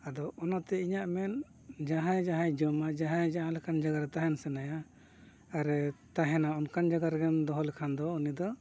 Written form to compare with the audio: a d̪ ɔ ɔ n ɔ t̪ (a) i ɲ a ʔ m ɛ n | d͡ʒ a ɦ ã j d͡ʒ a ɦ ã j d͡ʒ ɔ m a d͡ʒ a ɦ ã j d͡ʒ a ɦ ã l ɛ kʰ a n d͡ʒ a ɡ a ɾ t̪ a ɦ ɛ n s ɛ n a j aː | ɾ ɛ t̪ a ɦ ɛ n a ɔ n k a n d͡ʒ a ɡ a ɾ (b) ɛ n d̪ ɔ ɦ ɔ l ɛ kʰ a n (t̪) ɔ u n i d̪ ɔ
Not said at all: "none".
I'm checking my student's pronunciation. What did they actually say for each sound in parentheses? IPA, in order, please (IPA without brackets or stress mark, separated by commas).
ɛ, ɡ, d̪